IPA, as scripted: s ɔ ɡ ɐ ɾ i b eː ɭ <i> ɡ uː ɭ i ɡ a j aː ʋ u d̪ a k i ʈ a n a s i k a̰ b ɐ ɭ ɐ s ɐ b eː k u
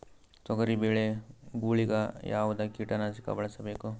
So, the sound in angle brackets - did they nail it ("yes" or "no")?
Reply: no